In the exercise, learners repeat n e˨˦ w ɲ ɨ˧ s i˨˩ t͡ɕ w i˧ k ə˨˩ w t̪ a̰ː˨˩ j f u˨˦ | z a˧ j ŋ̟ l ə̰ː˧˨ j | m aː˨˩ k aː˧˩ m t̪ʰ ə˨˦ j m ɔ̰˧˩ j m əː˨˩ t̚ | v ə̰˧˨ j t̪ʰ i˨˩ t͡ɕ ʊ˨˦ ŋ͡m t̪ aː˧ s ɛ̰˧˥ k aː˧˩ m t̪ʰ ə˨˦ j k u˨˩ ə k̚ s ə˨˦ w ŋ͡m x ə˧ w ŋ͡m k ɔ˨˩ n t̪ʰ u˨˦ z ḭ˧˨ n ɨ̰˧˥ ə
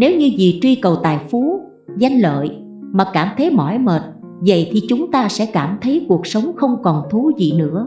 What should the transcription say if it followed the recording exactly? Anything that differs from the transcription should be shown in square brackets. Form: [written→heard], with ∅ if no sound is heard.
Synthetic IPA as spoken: n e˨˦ w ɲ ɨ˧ [s→z] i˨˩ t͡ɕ w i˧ k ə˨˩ w t̪ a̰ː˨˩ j f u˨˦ | z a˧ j ŋ̟ l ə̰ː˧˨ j | m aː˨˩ k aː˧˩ m t̪ʰ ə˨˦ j m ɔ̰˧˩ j m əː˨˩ t̚ | v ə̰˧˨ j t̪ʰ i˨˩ t͡ɕ ʊ˨˦ ŋ͡m t̪ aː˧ s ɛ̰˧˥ k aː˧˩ m t̪ʰ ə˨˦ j k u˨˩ ə k̚ s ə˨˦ w ŋ͡m x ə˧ w ŋ͡m k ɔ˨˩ n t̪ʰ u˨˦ z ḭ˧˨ n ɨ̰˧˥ ə